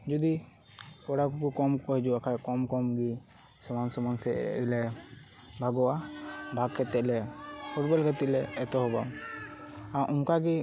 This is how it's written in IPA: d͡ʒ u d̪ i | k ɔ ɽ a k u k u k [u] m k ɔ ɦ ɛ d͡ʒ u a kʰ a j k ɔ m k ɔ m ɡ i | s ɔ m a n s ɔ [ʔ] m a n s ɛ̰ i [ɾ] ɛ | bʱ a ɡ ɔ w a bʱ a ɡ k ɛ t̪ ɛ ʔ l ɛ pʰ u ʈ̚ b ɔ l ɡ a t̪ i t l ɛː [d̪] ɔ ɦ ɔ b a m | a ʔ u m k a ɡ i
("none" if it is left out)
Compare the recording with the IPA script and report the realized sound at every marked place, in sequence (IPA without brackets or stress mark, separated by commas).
ɔ, none, l, t̪